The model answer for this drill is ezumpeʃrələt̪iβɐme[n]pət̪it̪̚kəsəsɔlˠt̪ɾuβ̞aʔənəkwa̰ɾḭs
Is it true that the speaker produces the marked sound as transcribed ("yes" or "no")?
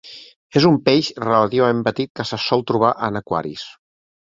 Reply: no